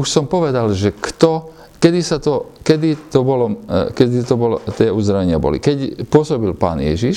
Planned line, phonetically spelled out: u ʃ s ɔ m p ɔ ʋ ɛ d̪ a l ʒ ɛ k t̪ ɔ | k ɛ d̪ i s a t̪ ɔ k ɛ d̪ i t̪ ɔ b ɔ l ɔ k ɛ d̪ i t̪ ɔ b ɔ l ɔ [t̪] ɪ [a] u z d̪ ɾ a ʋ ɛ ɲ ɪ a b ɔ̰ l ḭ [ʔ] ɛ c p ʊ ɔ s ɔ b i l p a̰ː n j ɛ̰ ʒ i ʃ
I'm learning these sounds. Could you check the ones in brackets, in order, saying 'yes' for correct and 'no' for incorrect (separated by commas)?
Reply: yes, no, no